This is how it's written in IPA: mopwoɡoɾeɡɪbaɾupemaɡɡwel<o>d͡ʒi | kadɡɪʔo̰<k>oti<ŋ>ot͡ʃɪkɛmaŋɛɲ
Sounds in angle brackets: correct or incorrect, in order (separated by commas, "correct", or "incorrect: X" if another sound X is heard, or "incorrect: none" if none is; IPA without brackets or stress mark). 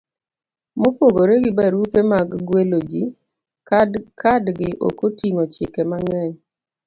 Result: correct, correct, correct